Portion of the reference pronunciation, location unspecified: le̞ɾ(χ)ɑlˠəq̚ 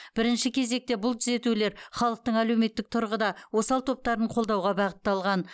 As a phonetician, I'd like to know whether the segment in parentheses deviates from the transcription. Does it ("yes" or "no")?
no